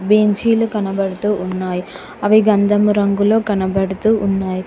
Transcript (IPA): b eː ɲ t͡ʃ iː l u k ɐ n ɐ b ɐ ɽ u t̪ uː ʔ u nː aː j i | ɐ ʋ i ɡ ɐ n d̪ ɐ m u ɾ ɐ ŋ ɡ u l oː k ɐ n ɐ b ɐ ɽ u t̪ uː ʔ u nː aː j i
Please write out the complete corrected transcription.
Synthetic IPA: b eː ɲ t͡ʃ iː l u k ɐ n ɐ b ɐ ɽ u t̪ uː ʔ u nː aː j i | ɐ ʋ i ɡ ɐ n d̪ ɐ m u ɾ ɐ ŋ ɡ u l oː k ɐ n ɐ b ɐ ɽ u t̪ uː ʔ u nː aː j i